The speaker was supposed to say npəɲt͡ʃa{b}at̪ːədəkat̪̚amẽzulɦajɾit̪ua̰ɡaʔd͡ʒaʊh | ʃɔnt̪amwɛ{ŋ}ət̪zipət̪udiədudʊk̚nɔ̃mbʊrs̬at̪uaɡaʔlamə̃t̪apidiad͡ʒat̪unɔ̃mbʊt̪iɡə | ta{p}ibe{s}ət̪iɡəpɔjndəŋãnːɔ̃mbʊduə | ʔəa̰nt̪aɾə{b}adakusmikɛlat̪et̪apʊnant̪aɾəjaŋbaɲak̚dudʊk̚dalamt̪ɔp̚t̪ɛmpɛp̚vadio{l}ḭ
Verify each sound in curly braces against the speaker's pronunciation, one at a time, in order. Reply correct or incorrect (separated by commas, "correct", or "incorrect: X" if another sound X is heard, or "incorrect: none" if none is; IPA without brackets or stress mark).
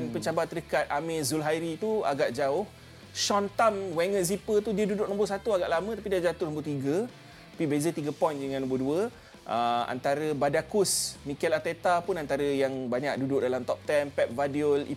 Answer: correct, correct, correct, incorrect: z, correct, correct